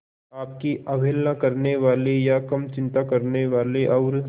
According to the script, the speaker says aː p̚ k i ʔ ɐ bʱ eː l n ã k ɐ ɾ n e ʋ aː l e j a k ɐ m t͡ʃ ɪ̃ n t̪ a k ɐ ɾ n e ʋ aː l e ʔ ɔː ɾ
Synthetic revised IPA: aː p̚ k i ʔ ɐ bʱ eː l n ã k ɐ ɾ n e ʋ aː l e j a k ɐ m t͡ʃ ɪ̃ n t̪ a k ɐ ɾ n e ʋ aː l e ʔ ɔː ɾ